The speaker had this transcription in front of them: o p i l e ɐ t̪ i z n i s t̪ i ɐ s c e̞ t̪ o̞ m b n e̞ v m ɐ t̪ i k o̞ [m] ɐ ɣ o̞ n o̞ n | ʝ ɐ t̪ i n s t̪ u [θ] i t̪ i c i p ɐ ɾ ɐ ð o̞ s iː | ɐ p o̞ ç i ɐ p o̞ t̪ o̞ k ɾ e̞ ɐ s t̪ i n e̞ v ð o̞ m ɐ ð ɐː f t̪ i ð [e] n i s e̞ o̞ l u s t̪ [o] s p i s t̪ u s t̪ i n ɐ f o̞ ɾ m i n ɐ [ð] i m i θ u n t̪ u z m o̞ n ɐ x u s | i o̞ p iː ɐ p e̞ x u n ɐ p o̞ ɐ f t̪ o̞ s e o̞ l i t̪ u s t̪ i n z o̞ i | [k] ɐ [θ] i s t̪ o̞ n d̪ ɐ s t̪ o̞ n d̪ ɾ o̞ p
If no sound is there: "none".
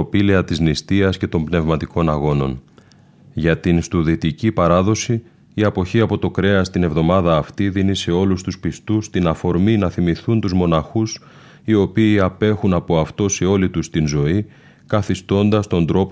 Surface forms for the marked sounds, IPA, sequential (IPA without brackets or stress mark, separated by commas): n, ð, i, u, θ, k, θ